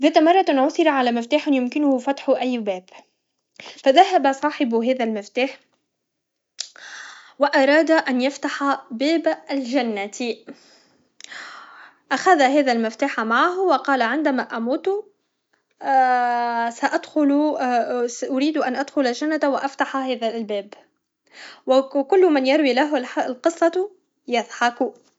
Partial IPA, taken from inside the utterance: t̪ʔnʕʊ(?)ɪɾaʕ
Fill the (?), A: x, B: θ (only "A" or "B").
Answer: B